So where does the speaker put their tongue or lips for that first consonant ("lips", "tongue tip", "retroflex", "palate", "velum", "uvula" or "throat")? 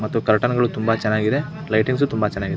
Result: lips